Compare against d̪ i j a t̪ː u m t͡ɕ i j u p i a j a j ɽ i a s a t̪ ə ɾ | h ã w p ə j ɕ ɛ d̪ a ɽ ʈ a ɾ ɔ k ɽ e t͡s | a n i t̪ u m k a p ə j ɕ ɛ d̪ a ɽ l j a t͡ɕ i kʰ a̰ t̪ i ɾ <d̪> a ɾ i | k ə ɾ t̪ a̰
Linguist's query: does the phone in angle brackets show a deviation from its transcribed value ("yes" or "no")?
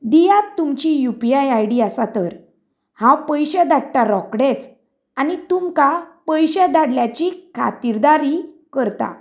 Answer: no